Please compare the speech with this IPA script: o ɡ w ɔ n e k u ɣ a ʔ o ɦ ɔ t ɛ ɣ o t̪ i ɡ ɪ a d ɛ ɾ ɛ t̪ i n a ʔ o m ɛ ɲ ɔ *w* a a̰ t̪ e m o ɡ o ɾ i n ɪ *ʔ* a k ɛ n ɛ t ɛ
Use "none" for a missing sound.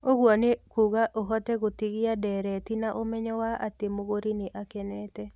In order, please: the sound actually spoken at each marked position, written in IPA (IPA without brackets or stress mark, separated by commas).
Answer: w, ʔ